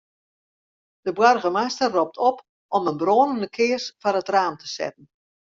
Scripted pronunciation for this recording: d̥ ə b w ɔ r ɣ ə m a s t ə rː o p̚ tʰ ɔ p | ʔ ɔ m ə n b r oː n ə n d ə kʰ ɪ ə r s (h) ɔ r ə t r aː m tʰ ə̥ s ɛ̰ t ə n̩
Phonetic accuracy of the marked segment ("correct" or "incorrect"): incorrect